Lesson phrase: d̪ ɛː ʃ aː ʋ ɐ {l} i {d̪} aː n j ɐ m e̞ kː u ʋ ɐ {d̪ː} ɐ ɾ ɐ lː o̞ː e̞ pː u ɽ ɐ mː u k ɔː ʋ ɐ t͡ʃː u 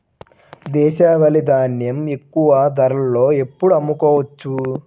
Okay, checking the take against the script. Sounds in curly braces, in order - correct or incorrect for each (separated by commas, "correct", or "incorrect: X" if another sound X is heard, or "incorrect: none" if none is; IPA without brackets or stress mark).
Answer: correct, correct, incorrect: d̪